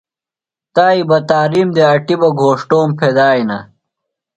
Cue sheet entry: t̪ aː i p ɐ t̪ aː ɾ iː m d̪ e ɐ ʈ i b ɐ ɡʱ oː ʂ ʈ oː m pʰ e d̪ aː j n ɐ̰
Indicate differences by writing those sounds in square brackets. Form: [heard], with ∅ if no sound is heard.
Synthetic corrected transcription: t̪ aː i [b] ɐ t̪ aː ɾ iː m d̪ e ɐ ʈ i b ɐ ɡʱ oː ʂ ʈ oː m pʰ e d̪ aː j n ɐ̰

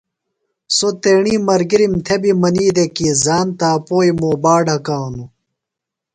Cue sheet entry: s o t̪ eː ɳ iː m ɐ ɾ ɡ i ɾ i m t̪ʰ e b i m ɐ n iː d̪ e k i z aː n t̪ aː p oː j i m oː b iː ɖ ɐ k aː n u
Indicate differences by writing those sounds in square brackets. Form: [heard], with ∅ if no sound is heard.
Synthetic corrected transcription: s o t̪ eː ɳ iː m ɐ ɾ ɡ i ɾ i m t̪ʰ e b i m ɐ n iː d̪ e k i z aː n t̪ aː p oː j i m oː b [aː] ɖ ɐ k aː n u

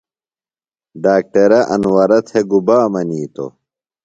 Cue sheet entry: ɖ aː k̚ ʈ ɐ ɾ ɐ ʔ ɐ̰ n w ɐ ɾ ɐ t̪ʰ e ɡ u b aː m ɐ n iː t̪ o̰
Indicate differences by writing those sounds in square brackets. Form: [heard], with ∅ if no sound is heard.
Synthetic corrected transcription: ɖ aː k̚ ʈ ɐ ɾ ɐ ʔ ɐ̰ n w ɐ ɾ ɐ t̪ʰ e ɡ u b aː m ɐ n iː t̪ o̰

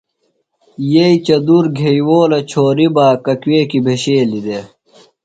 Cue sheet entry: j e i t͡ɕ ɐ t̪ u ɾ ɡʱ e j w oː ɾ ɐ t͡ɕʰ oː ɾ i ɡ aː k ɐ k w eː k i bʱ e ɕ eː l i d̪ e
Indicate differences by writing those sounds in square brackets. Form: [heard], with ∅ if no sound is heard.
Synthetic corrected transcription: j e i t͡ɕ ɐ [d̪] u ɾ ɡʱ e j w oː [l] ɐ t͡ɕʰ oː ɾ i [b] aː k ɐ k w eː k i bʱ e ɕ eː l i d̪ e

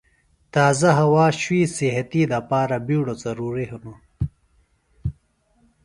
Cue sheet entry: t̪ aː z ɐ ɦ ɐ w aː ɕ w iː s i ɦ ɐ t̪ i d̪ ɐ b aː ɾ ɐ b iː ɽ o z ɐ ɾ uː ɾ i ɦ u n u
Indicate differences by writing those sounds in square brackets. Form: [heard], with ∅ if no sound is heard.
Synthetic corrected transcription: t̪ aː z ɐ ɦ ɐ w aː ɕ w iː s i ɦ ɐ t̪ i d̪ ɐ [p] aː ɾ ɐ b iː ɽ o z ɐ ɾ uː ɾ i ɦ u n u

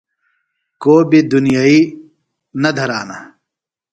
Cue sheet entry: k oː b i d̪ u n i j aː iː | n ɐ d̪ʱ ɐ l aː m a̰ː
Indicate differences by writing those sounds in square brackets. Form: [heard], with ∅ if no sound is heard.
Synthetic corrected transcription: k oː b i d̪ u n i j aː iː | n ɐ d̪ʱ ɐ [ɾ] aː [n] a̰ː

